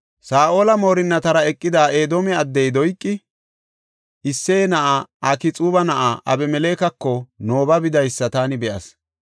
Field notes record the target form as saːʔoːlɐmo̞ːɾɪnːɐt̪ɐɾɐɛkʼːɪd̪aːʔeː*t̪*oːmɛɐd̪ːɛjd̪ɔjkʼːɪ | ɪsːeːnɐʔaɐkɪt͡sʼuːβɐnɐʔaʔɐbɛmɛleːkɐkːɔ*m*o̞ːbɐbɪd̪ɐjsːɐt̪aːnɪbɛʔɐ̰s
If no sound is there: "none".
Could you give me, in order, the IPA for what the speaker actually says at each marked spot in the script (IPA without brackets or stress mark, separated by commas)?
d̪, n